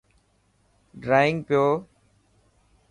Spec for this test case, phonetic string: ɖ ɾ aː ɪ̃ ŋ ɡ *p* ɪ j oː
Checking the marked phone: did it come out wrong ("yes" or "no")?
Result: no